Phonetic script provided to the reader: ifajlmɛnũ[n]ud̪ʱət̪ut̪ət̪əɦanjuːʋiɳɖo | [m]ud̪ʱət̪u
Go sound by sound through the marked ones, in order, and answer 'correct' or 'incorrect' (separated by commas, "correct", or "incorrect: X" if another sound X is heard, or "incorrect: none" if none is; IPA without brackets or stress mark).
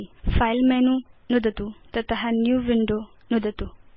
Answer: correct, incorrect: n